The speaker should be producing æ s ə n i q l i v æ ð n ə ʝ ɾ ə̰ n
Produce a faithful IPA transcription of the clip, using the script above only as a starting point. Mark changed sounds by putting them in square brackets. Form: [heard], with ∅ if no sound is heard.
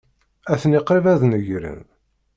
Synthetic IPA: æ [θ] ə n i q [ɾ] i v æ ð n ə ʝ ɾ ə̰ n